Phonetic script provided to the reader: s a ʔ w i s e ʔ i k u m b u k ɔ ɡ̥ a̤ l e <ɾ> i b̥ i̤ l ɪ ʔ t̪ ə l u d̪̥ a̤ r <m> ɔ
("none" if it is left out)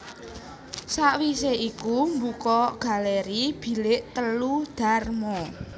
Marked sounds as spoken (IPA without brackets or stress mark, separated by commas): ɾ, m